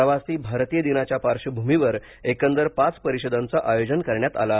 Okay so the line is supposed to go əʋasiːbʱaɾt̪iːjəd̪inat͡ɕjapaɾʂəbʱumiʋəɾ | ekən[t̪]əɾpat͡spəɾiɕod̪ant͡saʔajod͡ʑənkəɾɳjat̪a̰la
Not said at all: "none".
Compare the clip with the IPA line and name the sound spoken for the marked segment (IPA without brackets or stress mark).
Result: d̪